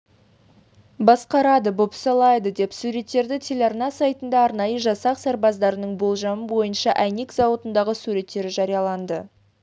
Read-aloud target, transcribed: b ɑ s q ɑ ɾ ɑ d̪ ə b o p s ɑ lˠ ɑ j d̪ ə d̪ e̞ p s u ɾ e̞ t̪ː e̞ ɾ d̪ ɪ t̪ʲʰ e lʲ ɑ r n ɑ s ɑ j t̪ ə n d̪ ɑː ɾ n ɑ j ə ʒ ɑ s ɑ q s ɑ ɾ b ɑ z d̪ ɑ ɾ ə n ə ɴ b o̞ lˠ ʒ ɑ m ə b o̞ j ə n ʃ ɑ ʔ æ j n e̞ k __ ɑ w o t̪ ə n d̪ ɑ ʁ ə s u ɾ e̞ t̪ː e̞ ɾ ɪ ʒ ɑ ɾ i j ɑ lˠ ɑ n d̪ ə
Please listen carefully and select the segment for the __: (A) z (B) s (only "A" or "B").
A